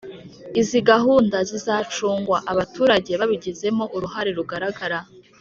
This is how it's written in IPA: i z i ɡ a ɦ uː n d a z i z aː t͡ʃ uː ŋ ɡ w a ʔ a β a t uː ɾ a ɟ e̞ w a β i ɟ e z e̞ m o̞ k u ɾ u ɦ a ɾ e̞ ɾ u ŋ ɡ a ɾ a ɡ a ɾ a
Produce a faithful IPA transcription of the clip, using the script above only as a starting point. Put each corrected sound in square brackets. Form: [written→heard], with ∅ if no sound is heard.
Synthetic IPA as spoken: i z i ɡ a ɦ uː n d a z i z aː t͡ʃ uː ŋ ɡ w a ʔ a β a t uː ɾ a ɟ e̞ [w→β] a β i ɟ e z e̞ m o̞ [k→ʔ] u ɾ u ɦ a ɾ e̞ ɾ u [ŋ→∅] ɡ a ɾ a ɡ a ɾ a